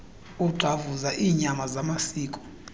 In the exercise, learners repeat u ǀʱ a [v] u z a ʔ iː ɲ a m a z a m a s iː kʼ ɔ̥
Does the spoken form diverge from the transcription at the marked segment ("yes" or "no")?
no